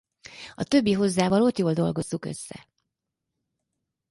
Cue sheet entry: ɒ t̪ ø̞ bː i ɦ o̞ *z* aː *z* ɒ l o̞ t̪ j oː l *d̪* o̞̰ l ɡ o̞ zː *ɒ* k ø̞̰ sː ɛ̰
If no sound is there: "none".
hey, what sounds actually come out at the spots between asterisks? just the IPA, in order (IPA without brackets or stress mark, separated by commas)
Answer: zː, v, d̪, u